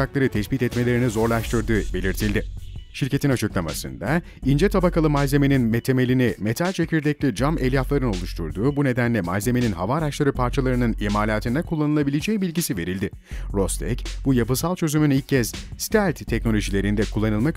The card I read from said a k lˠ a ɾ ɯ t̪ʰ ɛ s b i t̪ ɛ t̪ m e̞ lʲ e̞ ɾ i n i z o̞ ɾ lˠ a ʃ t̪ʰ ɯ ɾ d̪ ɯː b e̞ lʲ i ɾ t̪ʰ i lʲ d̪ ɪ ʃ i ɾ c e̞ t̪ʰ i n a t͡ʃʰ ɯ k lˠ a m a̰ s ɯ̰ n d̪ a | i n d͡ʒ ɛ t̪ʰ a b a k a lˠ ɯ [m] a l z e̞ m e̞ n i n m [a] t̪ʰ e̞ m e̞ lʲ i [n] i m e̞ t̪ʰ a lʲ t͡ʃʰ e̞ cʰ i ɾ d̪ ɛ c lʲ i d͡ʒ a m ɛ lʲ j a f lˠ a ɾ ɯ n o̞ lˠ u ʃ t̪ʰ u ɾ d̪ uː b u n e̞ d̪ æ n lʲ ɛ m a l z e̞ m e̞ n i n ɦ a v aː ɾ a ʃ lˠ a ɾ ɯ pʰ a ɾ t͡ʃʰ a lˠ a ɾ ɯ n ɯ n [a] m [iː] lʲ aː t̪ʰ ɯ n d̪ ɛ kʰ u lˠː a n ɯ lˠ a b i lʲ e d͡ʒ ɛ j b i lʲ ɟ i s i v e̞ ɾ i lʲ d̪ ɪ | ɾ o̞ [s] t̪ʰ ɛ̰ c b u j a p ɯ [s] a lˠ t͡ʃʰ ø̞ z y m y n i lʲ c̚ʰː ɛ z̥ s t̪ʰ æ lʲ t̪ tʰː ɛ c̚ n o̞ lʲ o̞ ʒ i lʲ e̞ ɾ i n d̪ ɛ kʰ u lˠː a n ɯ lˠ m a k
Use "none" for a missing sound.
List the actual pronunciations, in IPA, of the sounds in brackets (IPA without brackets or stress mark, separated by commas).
m, e, n, i, aː, s, s